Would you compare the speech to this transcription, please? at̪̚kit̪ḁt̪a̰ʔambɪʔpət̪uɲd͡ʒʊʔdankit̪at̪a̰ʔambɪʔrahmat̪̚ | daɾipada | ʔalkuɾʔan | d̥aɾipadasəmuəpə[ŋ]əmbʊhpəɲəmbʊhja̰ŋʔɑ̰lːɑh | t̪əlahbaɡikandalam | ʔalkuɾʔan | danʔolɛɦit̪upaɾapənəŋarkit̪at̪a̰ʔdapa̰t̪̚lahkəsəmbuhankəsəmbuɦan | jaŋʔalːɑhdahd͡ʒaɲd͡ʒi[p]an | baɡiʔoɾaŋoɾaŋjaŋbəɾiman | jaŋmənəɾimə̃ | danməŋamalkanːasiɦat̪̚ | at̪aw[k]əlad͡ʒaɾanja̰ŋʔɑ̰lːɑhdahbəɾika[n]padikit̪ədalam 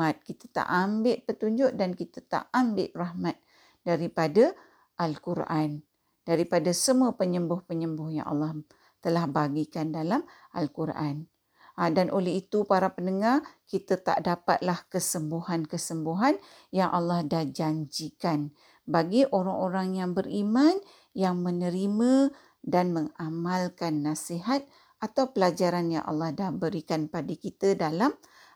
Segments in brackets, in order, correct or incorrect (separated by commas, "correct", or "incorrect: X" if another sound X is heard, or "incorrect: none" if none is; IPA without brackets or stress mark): incorrect: ɲ, incorrect: k, incorrect: p, correct